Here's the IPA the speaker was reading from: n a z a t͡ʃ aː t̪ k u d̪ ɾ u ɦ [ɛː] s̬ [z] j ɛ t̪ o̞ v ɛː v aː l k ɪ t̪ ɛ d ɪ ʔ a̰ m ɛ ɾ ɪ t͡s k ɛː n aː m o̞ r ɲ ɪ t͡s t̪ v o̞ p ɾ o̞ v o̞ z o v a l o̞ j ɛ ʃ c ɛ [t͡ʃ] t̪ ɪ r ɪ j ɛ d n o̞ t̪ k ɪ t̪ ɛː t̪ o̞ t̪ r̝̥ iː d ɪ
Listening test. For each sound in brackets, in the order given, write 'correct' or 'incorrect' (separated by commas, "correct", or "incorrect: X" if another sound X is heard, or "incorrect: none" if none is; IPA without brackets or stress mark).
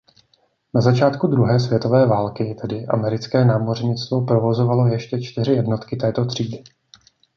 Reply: correct, incorrect: v, correct